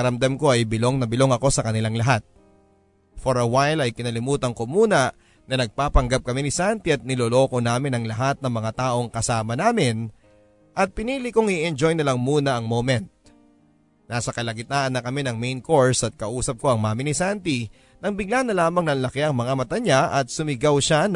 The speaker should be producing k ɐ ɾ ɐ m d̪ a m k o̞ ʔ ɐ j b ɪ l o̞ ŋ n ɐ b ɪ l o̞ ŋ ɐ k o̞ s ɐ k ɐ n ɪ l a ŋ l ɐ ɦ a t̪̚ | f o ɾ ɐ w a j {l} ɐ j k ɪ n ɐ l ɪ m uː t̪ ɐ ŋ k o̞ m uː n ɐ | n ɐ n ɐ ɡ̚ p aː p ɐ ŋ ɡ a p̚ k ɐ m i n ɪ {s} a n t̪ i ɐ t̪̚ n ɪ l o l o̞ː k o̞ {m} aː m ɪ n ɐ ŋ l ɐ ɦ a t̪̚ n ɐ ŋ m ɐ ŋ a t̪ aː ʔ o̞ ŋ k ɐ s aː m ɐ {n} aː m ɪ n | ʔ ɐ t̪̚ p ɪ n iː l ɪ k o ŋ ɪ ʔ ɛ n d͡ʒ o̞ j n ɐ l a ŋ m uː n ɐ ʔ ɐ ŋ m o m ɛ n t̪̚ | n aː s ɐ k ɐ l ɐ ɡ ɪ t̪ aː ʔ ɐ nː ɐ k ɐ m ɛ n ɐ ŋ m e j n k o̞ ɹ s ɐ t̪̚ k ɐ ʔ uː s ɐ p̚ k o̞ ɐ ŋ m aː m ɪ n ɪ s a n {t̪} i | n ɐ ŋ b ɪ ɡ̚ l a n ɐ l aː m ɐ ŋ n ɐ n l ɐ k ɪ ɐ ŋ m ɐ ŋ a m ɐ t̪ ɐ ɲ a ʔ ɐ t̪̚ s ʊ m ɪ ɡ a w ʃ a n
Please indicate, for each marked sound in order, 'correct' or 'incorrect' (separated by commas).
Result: correct, correct, incorrect, correct, correct